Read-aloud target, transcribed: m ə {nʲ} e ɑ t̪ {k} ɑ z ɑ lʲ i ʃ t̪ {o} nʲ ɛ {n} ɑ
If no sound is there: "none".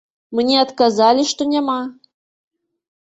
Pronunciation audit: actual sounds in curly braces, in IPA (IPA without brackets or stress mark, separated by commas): nʲ, k, o, m